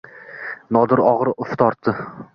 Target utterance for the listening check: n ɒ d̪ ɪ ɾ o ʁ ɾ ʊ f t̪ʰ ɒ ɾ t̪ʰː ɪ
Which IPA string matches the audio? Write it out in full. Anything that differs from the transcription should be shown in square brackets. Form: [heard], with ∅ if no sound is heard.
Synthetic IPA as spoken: n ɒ d̪ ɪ ɾ [ɒ] ʁ ɾ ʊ f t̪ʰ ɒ ɾ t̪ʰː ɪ